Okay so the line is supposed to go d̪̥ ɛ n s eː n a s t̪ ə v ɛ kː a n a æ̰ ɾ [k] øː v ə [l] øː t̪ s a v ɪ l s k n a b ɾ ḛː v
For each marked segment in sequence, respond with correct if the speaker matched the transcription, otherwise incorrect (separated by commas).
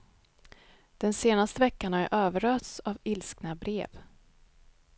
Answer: incorrect, incorrect